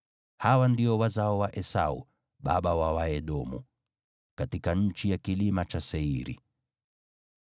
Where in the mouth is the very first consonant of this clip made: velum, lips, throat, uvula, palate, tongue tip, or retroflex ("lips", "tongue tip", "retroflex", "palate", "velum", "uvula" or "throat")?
throat